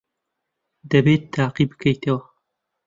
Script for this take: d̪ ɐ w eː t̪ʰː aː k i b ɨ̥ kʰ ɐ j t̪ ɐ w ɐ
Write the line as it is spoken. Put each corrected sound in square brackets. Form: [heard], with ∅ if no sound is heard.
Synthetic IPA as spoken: d̪ ɐ [b] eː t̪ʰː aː [q] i b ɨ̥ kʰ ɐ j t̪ ɐ w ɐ